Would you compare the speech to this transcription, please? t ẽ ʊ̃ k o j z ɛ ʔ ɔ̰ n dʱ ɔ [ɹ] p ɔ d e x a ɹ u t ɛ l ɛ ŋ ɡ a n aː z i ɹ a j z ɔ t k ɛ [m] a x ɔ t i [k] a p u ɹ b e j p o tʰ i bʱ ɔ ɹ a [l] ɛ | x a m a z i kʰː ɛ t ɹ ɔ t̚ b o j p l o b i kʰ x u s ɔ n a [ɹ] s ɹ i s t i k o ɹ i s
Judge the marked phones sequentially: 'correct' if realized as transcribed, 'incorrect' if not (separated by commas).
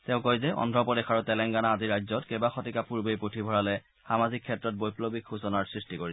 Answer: incorrect, incorrect, correct, correct, correct